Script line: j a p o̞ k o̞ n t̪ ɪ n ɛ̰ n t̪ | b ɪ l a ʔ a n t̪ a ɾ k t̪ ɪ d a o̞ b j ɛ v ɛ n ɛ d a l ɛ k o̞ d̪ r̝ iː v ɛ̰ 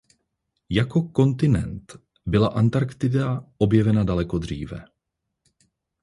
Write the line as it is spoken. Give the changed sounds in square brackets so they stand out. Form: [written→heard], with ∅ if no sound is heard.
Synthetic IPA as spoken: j a [p→k] o̞ k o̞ n t̪ ɪ n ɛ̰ n t̪ | b ɪ l a ʔ a n t̪ a ɾ k t̪ ɪ d a o̞ b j ɛ v ɛ n [ɛ→a] d a l ɛ k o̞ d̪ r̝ iː v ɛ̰